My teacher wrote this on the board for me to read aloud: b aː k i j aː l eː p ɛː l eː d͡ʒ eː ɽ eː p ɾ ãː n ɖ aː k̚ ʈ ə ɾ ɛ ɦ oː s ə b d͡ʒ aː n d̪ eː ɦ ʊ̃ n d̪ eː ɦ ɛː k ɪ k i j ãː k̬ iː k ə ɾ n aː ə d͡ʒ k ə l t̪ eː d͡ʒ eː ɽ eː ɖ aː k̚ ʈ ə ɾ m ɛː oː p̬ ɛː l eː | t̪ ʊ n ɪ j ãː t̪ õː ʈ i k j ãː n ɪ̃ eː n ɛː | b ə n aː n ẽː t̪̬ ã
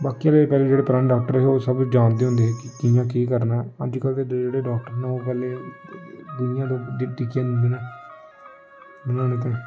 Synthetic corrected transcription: b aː k i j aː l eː p ɛː l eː d͡ʒ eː ɽ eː p ɾ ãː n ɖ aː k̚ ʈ ə ɾ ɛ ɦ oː s ə b d͡ʒ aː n d̪ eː ɦ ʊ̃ n d̪ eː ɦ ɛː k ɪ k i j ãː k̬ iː k ə ɾ n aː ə d͡ʒ k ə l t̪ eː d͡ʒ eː ɽ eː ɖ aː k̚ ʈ ə ɾ n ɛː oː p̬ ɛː l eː | d̪ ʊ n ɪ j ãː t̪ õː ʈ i k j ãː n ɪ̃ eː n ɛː | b ə n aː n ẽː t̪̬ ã